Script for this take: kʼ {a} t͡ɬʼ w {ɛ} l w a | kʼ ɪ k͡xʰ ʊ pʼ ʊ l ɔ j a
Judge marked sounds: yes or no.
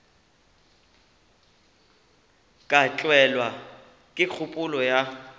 yes, yes

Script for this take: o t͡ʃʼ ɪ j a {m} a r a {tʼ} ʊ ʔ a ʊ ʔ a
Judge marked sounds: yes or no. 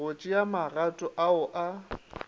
yes, yes

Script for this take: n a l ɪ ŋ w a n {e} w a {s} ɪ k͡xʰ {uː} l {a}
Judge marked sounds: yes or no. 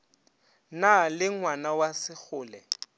no, yes, no, no

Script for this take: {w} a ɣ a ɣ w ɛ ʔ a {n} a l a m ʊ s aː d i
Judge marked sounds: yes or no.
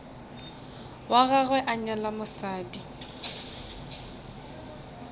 yes, no

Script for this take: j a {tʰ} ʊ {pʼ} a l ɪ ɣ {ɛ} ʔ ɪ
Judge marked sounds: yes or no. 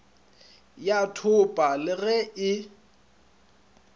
yes, yes, yes

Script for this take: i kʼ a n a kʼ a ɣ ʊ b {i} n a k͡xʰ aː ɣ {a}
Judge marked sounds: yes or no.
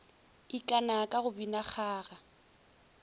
yes, yes

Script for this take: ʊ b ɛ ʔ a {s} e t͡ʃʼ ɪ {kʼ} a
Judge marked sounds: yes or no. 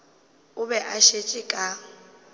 no, yes

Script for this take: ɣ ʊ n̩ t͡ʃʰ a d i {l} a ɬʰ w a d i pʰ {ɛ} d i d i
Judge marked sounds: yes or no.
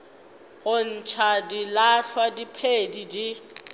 yes, no

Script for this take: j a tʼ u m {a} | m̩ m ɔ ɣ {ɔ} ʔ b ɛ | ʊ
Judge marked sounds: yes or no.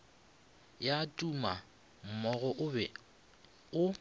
yes, yes

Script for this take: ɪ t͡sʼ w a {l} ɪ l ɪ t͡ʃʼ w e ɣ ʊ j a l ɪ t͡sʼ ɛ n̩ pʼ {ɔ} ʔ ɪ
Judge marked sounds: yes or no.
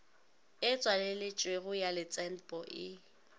yes, yes

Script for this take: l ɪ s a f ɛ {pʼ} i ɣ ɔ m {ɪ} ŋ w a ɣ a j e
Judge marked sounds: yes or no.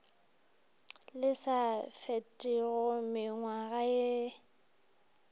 no, yes

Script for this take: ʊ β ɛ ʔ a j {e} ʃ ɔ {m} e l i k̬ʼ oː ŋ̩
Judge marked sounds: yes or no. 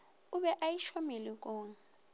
no, yes

